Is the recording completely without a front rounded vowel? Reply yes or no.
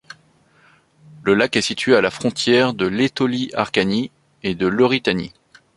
yes